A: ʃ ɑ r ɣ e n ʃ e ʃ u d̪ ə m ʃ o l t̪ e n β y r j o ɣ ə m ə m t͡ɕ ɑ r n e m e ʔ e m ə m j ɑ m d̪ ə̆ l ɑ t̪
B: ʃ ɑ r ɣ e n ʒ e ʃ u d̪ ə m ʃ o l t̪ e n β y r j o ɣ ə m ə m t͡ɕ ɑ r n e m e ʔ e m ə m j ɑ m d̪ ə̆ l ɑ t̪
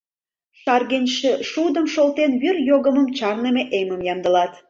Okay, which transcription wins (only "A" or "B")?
A